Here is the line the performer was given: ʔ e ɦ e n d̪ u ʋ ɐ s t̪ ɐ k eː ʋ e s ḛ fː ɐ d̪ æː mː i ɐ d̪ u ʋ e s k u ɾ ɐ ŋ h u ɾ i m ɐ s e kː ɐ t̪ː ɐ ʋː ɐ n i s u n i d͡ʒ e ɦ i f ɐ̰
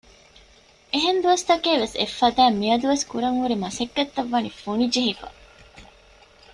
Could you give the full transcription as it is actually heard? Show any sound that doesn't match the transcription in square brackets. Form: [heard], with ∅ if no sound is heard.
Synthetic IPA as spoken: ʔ e ɦ e n d̪ u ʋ ɐ s t̪ ɐ k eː ʋ e s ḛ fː ɐ d̪ æː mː i ɐ d̪ u ʋ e s k u ɾ ɐ ŋ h u ɾ i m ɐ s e kː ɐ t̪ː ɐ ʋː ɐ n i [f] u n i d͡ʒ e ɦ i f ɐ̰